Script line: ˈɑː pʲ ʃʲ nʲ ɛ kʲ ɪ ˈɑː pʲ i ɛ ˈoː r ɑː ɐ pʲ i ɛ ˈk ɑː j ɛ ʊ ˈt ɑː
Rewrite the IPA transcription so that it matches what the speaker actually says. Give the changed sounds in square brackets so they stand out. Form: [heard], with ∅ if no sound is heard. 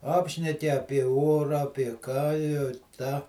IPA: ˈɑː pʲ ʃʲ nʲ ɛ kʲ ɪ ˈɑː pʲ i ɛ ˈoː r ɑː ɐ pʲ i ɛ ˈk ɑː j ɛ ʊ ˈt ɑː